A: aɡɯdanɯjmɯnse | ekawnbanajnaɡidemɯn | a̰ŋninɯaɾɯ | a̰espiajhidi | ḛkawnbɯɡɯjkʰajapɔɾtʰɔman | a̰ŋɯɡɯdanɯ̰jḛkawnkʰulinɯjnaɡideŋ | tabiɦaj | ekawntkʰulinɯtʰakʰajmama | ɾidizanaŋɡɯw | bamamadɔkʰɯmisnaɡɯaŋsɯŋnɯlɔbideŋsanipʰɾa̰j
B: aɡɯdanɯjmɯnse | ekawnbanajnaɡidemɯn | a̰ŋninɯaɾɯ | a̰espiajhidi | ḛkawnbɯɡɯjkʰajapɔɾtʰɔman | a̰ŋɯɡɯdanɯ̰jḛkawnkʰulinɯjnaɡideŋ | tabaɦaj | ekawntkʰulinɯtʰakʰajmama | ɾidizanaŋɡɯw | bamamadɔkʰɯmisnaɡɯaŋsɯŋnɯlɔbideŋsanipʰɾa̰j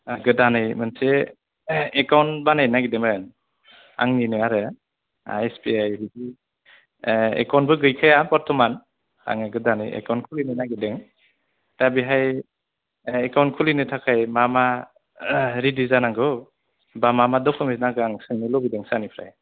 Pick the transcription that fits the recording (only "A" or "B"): A